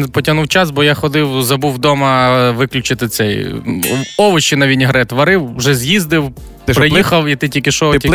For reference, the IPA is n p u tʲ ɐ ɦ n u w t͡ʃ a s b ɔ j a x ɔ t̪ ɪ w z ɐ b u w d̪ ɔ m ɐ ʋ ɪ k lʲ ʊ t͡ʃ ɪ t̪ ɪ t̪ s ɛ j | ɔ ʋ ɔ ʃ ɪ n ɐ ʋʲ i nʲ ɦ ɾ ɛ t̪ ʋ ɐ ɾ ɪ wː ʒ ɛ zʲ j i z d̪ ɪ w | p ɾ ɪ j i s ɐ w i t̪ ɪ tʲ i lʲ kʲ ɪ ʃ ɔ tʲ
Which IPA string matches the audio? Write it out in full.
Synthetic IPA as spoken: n p ɔ tʲ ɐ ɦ n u w t͡ʃ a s b ɔ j a x ɔ d̪ ɪ w z ɐ b u w d̪ ɔ m ɐ ʋ ɪ k lʲ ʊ t͡ʃ ɪ t̪ ɪ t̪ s ɛ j | ɔ ʋ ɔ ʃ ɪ n ɐ ʋʲ i nʲ ɦ ɾ ɛ t̪ ʋ ɐ ɾ ɪ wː ʒ ɛ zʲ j i z d̪ ɪ w | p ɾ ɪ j i x ɐ w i t̪ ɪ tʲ i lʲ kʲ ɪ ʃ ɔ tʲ